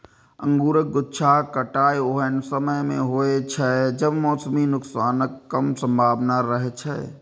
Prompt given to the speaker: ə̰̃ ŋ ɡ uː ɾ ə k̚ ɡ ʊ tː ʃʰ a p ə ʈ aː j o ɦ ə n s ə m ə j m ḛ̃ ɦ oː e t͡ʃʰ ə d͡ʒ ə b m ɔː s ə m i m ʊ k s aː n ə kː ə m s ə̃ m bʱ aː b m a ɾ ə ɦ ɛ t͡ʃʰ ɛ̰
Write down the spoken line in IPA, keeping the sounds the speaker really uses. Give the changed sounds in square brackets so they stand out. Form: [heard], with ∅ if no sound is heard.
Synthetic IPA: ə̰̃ ŋ ɡ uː ɾ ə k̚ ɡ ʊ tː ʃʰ a [k] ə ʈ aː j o ɦ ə n s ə m ə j m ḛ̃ ɦ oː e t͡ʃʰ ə d͡ʒ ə b m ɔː s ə m i [n] ʊ k s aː n ə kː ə m s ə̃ m bʱ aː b [n] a ɾ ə ɦ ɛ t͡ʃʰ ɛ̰